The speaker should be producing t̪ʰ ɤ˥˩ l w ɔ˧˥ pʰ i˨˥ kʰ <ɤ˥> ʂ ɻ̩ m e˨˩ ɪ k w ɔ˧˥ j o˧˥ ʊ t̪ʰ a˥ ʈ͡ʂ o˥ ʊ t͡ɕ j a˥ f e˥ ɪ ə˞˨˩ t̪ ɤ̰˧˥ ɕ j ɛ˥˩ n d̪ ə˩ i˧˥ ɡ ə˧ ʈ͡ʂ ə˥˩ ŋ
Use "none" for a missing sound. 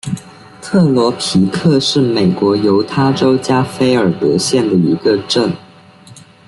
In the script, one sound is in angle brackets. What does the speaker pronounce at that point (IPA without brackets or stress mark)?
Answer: ɤ˥˧